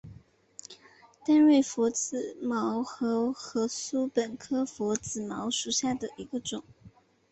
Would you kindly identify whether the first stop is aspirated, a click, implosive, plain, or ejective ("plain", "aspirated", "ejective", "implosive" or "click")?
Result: plain